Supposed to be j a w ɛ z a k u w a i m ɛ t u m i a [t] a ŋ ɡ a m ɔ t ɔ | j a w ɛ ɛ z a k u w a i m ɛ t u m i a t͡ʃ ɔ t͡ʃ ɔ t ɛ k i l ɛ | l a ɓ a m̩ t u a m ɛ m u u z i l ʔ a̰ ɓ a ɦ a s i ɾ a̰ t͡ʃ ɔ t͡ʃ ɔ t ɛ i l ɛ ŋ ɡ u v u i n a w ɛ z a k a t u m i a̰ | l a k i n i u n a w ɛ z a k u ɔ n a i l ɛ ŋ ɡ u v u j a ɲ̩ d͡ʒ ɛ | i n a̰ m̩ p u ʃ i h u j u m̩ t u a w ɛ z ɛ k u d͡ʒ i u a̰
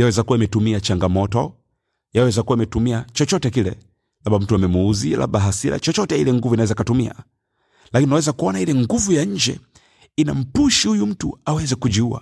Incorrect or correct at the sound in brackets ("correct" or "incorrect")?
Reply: incorrect